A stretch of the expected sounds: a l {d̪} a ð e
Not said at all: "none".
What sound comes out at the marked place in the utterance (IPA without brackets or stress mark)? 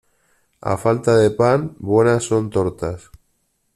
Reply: t̪